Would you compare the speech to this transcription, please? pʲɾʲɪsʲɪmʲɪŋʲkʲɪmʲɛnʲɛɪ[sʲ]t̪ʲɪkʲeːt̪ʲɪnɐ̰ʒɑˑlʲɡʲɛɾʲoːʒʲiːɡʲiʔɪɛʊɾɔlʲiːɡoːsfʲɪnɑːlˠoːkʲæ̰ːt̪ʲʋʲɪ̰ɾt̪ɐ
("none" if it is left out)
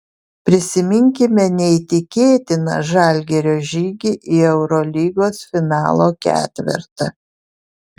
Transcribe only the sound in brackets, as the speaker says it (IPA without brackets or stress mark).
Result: none